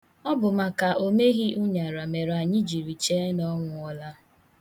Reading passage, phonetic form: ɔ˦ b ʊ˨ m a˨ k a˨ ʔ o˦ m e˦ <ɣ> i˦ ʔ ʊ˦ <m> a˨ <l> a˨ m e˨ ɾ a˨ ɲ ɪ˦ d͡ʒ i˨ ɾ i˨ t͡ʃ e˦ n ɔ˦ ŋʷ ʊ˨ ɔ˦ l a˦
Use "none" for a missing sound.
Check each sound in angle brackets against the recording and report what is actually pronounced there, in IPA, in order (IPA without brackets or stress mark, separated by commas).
ɣ, ɲ, ɾ